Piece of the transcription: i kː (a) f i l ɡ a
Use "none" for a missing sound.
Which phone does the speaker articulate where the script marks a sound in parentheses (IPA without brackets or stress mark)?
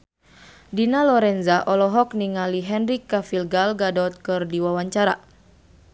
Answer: a